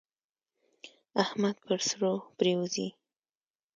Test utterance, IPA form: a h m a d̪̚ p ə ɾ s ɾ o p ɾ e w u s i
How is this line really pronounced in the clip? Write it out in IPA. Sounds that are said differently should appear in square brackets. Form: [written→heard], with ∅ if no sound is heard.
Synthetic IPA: a h m a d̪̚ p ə ɾ s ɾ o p ɾ e w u [s→z] i